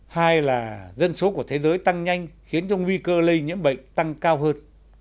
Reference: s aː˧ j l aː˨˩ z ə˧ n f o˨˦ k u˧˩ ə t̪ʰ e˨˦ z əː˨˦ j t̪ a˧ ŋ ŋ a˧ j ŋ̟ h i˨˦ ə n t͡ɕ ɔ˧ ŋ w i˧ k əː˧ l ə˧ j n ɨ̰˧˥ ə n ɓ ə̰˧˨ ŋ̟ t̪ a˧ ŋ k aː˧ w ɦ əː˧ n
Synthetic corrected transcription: h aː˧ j l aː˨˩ z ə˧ n s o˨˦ k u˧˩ ə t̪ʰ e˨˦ z əː˨˦ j t̪ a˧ ŋ ɲ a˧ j ŋ̟ x i˨˦ ə n t͡ɕ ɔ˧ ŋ w i˧ k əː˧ l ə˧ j ɲ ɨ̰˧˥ ə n ɓ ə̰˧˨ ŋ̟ t̪ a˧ ŋ k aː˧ w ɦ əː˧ n